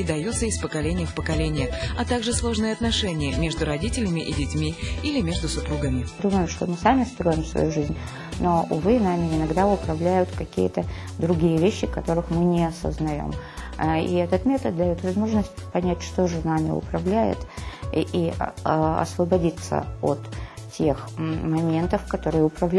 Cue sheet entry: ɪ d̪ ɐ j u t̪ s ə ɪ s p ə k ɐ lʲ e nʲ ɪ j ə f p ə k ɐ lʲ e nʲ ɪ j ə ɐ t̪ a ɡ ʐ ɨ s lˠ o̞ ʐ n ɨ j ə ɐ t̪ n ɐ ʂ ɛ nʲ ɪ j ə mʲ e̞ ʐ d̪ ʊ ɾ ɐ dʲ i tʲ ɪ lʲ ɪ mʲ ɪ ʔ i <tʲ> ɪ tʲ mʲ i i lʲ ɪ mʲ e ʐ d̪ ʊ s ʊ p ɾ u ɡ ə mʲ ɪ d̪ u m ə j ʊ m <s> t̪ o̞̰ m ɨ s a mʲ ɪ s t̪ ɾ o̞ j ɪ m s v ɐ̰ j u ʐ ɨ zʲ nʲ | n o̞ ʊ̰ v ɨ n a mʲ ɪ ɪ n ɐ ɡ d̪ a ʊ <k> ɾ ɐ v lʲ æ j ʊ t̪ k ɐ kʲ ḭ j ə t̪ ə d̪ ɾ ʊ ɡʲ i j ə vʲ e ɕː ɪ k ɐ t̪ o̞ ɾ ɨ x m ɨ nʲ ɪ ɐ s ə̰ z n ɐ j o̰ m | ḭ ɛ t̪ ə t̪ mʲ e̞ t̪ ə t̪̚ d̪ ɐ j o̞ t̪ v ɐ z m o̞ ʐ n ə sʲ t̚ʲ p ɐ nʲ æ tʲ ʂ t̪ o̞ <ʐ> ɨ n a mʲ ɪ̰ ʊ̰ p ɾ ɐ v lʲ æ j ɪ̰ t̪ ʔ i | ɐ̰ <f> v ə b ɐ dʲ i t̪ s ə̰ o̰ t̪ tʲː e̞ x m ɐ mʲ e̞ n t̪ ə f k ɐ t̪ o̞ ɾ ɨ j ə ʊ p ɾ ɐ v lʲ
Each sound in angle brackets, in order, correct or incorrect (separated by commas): incorrect, incorrect, incorrect, correct, incorrect